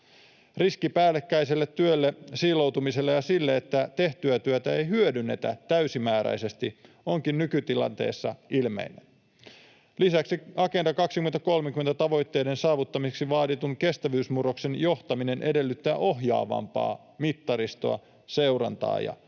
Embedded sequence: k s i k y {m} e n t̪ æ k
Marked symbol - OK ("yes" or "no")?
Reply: yes